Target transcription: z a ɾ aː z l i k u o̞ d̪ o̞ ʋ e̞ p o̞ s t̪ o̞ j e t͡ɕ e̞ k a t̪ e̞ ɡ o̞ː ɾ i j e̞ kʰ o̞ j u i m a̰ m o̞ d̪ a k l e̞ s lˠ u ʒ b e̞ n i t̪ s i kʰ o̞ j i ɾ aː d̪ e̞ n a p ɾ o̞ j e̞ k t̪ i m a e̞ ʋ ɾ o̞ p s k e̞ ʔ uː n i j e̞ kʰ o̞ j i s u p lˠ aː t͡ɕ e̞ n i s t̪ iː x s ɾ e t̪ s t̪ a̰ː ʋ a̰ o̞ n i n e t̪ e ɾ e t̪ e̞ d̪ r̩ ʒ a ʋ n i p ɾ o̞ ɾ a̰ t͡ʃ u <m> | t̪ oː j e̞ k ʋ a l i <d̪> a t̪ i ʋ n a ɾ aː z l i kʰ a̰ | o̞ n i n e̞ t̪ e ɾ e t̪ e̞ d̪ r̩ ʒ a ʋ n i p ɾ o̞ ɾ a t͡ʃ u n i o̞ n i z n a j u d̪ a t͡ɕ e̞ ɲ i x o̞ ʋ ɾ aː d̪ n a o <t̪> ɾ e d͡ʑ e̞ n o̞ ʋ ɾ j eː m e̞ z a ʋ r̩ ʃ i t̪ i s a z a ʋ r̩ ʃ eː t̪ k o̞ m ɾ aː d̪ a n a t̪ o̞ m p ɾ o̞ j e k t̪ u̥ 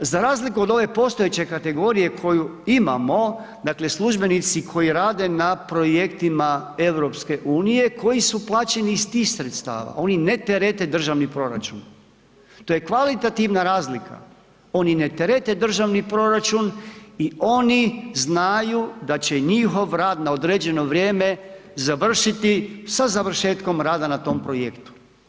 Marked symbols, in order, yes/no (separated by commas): no, no, no